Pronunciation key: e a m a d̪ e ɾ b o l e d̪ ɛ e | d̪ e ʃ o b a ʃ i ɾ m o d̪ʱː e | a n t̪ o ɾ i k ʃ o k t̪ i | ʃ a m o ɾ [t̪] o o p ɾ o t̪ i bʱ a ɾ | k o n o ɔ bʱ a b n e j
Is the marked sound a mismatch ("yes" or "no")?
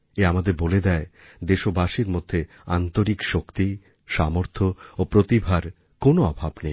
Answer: yes